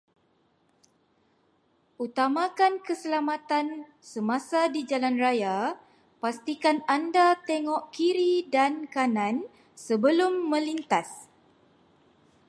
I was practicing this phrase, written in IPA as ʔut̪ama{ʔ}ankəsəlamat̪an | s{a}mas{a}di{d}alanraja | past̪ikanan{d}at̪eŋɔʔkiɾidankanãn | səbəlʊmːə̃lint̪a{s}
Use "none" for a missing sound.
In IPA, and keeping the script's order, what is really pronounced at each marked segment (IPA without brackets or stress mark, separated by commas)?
k, ə, a, d͡ʒ, d, s